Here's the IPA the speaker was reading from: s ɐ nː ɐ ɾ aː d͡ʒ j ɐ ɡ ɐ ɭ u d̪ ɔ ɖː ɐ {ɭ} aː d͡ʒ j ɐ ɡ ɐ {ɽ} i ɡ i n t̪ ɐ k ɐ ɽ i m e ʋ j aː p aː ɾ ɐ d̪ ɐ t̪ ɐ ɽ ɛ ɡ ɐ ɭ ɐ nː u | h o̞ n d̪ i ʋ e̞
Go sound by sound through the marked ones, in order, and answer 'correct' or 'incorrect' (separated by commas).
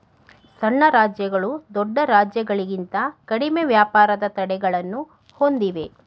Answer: incorrect, incorrect